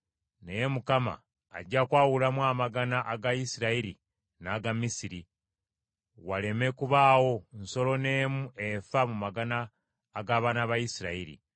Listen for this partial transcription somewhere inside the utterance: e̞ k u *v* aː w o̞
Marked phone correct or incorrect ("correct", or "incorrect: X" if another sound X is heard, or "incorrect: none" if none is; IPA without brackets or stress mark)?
incorrect: β